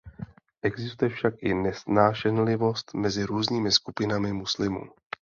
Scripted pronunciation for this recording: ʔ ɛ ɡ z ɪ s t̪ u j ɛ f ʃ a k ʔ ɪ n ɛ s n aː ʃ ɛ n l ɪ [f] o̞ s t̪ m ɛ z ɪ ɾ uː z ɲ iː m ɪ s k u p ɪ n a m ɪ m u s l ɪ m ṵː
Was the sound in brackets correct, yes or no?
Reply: no